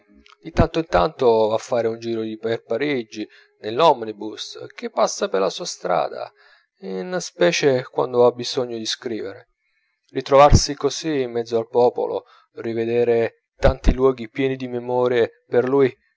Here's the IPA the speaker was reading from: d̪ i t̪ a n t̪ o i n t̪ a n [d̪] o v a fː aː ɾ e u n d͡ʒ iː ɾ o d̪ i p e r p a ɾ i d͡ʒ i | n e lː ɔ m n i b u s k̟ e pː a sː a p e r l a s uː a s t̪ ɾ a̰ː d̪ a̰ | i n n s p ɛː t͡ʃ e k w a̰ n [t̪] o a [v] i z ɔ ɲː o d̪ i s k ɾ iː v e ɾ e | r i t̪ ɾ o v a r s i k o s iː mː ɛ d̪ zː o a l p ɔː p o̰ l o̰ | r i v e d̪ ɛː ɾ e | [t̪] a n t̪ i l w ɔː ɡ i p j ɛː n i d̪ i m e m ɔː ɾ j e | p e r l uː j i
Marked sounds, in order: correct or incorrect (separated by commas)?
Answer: incorrect, incorrect, incorrect, correct